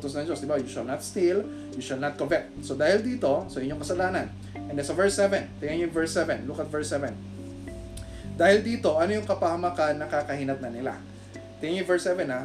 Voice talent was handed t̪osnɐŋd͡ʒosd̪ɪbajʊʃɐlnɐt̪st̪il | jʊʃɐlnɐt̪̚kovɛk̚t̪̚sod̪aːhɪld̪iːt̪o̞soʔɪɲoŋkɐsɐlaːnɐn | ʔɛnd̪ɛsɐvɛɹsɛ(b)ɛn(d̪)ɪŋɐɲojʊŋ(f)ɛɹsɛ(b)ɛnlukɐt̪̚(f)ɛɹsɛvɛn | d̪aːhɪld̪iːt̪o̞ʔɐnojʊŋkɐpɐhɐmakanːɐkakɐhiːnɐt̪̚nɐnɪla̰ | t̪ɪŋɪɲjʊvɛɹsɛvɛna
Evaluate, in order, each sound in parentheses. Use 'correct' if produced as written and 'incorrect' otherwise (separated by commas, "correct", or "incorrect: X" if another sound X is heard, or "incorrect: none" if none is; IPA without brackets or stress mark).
incorrect: v, incorrect: t̪, incorrect: v, incorrect: v, incorrect: v